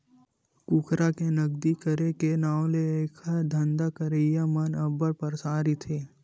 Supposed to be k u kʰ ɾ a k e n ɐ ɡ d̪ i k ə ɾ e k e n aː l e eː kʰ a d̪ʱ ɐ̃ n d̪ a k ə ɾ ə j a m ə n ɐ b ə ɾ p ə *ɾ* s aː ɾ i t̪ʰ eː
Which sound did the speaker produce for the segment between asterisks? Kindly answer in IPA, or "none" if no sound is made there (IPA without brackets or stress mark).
ɾ